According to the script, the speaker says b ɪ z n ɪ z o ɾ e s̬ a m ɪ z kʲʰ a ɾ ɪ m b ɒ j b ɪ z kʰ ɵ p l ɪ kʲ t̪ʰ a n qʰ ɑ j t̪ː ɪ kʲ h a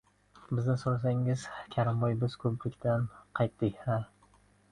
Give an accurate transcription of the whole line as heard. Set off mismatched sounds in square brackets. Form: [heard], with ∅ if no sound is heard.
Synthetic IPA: b ɪ z n ɪ [s] o ɾ [a] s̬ a [ŋ] ɪ z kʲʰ a ɾ ɪ m b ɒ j b ɪ z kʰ ɵ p l ɪ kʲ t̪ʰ a n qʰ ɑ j t̪ː ɪ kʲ h a